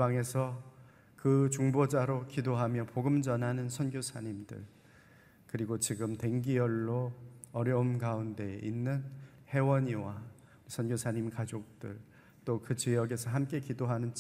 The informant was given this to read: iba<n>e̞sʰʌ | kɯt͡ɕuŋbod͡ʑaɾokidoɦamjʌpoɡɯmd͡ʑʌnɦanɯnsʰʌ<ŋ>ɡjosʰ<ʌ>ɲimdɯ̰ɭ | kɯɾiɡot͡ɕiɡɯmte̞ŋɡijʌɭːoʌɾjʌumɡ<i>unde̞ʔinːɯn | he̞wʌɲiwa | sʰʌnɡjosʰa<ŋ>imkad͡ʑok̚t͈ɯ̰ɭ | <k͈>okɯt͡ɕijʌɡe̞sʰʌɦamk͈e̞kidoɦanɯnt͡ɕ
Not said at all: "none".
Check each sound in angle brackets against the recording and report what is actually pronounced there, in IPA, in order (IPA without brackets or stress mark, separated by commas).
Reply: ŋ, n, a, a, ɲ, t͈